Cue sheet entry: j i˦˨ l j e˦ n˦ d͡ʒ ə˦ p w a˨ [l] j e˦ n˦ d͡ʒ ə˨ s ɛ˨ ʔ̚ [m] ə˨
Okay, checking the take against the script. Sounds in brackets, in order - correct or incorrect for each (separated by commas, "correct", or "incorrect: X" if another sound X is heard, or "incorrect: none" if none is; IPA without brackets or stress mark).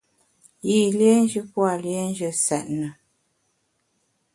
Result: correct, incorrect: n